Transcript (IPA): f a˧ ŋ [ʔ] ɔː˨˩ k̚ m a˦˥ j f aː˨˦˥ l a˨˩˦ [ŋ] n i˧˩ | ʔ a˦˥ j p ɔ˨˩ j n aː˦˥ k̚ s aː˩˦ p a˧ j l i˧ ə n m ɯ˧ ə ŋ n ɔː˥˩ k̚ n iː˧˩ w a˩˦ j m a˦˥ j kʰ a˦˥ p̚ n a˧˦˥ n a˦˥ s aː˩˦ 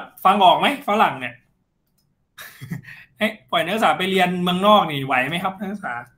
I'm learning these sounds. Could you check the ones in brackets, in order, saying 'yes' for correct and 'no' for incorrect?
yes, yes

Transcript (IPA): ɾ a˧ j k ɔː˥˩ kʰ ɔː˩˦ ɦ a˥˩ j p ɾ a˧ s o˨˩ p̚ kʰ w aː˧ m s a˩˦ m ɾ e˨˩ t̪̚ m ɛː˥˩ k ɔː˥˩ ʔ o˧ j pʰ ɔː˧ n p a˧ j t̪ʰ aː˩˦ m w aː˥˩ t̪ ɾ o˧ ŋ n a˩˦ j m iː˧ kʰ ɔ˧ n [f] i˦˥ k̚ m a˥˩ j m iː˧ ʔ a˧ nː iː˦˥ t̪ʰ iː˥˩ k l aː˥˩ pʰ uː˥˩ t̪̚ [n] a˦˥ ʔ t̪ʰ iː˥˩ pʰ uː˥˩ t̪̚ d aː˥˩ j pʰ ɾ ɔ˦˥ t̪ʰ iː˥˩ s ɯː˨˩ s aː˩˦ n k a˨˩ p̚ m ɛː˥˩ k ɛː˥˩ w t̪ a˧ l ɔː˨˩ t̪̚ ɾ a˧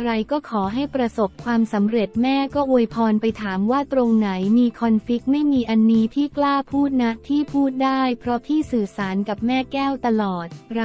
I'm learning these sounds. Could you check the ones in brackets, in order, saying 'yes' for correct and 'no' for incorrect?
yes, yes

